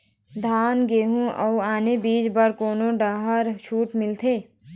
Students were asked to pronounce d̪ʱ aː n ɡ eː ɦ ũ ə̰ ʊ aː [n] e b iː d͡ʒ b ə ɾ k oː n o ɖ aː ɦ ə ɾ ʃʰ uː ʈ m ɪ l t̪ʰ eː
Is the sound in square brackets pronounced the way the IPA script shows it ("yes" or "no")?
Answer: yes